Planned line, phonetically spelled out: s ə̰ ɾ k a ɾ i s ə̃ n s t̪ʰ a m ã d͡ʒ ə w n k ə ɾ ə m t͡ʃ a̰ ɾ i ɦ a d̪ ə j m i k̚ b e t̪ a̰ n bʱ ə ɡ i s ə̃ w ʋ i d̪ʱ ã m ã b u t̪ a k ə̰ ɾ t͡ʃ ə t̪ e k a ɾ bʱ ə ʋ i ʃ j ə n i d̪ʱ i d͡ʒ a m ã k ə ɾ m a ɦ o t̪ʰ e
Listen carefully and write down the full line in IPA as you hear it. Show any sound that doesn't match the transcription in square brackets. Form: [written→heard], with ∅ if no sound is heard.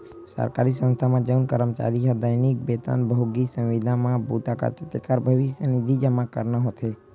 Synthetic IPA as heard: s ə̰ ɾ k a ɾ i s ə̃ n s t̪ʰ a m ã d͡ʒ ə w n k ə ɾ ə m t͡ʃ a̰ ɾ i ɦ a d̪ ə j [m→n] i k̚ b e t̪ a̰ n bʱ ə ɡ i s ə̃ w ʋ i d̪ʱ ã m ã b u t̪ a k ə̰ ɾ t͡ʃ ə t̪ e k a ɾ bʱ ə ʋ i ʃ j ə n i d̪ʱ i d͡ʒ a m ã k ə ɾ [m→n] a ɦ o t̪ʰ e